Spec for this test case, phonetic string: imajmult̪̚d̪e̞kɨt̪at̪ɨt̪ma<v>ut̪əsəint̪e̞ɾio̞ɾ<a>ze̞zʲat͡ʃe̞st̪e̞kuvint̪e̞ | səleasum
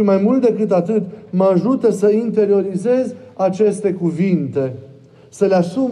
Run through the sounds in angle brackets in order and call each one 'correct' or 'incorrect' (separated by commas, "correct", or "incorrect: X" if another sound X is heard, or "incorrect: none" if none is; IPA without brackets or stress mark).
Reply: incorrect: ʒ, incorrect: i